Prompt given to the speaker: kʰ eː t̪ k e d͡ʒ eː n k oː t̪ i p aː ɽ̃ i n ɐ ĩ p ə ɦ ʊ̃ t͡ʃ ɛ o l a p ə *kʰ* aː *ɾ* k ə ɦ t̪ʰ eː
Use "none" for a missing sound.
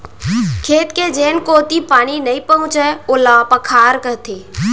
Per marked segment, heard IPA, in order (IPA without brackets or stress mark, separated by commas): kʰ, ɾ